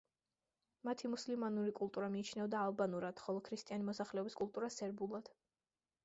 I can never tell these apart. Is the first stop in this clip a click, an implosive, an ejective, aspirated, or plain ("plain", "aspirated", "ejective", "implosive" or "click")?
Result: aspirated